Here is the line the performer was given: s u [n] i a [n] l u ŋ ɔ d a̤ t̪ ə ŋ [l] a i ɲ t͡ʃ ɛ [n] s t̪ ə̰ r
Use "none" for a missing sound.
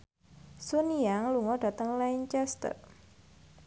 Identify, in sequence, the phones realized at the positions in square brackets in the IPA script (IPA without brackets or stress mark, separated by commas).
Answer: n, ŋ, l, none